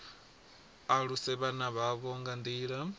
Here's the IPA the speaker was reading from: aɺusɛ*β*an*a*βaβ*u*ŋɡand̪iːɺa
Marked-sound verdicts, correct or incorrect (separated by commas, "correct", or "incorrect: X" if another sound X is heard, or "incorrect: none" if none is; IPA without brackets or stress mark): correct, correct, incorrect: ɔ